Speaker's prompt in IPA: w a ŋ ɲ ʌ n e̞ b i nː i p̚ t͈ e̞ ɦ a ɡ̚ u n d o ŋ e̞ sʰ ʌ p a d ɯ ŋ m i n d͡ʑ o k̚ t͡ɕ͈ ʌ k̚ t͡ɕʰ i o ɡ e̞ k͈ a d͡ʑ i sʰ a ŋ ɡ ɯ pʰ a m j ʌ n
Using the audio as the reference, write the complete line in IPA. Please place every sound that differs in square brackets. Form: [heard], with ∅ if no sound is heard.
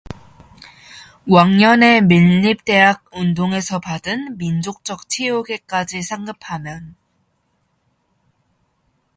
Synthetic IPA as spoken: w a ŋ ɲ ʌ n e̞ [m] i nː i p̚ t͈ e̞ ɦ a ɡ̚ u n d o ŋ e̞ sʰ ʌ p a d ɯ [n] m i n d͡ʑ o k̚ t͡ɕ͈ ʌ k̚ t͡ɕʰ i o ɡ e̞ k͈ a d͡ʑ i sʰ a ŋ ɡ ɯ pʰ a m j ʌ n